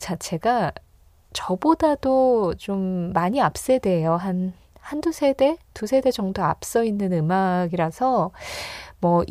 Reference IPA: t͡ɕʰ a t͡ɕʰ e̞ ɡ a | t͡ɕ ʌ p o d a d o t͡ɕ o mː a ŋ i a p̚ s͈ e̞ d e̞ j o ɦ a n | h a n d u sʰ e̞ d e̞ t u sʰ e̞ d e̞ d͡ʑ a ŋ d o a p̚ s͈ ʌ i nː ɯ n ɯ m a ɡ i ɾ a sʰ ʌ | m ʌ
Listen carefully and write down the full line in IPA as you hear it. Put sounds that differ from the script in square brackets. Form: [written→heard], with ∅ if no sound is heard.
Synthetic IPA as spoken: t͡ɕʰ a t͡ɕʰ e̞ ɡ a | t͡ɕ ʌ [p→b] o d a d o t͡ɕ o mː a [ŋ→ɲ] i a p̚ s͈ e̞ d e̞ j o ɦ a n | h a n d u sʰ e̞ d e̞ t u sʰ e̞ d e̞ d͡ʑ [a→ʌ] ŋ d o a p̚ s͈ ʌ i nː ɯ n ɯ m a ɡ i ɾ a sʰ ʌ | m ʌ